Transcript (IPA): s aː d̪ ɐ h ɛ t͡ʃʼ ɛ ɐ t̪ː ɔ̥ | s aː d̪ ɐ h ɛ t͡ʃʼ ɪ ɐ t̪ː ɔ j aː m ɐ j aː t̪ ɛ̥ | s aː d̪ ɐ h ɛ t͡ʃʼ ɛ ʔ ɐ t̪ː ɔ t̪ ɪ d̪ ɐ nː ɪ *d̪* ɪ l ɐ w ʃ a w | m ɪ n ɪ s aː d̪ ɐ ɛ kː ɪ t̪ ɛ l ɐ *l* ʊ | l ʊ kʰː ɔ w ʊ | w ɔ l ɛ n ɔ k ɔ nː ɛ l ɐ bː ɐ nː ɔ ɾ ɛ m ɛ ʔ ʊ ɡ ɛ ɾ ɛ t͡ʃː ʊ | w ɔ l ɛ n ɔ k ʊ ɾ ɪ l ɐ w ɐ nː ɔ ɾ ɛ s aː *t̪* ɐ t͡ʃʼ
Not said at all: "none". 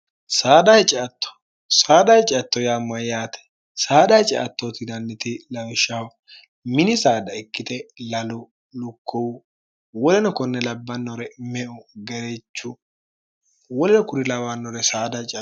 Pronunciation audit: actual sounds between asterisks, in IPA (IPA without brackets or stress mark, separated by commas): t̪, l, d̪